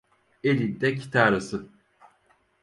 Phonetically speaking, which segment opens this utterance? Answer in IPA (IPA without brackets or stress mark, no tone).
e